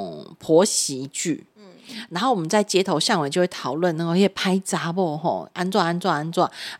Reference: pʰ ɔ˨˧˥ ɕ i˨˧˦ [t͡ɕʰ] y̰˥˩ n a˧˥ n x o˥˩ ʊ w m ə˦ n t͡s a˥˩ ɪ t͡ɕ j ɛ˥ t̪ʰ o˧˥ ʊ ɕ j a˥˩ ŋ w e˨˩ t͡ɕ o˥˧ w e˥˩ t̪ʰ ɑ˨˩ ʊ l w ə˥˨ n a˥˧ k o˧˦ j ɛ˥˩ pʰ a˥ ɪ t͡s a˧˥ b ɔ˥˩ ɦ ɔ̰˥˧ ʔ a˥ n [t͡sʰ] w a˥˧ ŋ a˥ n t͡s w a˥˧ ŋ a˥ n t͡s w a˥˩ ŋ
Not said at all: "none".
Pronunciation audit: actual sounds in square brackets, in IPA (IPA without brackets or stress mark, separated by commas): t͡ɕ, t͡s